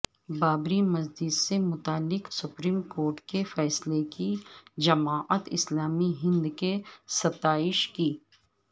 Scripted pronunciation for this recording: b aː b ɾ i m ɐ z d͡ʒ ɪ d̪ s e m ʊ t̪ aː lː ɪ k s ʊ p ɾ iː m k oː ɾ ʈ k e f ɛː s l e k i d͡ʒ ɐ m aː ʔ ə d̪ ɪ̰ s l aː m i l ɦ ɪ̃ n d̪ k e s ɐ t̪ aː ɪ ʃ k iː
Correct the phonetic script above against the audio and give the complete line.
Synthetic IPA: b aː b ɾ i m ɐ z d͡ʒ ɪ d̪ s e m ʊ t̪ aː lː ɪ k s ʊ p ɾ iː m k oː ɾ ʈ k e f ɛː s l e k i d͡ʒ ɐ m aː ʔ ə t̪ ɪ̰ s l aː m i ɦ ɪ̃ n d̪ k e s ɐ t̪ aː ɪ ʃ k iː